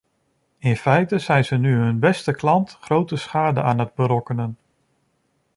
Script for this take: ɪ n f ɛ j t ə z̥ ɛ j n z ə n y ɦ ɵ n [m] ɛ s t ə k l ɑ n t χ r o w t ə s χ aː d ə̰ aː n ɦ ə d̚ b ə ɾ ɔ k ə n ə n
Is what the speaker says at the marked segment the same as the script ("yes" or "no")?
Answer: no